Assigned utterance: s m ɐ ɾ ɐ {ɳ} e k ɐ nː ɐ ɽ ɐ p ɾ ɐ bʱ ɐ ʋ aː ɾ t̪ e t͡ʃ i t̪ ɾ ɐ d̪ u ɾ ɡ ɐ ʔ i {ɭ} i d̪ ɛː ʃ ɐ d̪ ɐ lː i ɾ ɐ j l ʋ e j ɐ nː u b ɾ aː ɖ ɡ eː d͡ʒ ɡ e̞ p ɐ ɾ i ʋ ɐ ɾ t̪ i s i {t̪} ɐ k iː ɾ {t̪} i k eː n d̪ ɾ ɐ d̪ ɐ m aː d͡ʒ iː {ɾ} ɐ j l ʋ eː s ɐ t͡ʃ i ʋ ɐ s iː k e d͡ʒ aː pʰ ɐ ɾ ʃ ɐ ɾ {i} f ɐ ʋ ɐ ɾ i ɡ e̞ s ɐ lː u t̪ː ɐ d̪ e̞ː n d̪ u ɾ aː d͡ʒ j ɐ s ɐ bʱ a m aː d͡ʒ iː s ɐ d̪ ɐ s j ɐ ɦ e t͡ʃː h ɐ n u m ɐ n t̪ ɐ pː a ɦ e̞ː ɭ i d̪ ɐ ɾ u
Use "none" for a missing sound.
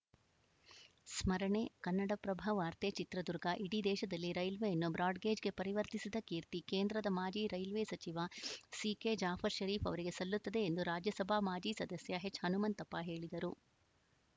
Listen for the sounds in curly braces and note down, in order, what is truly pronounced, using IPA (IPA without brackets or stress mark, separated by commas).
ɳ, ɽ, d̪, t̪, ɾ, iː